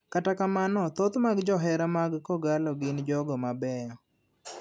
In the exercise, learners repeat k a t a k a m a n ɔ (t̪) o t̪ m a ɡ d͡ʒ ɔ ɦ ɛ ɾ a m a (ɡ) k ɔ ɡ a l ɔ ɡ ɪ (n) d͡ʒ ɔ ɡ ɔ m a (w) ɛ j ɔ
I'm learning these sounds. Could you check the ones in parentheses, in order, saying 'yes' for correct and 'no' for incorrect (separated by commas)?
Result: yes, yes, yes, no